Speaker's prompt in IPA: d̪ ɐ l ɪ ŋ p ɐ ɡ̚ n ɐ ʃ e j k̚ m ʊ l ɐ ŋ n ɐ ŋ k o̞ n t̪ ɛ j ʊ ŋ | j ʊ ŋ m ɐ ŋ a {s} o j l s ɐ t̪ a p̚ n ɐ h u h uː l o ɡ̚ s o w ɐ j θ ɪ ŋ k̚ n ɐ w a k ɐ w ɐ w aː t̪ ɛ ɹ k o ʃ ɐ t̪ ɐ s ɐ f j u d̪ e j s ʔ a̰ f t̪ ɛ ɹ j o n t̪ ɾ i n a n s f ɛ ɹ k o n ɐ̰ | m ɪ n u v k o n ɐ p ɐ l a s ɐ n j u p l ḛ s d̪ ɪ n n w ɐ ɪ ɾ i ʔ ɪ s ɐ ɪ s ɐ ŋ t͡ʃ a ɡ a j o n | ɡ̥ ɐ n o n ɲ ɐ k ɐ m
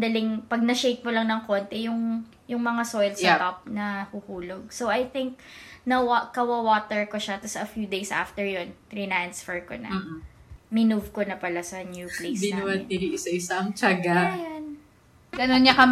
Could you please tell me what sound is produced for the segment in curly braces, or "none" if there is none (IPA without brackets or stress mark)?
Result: s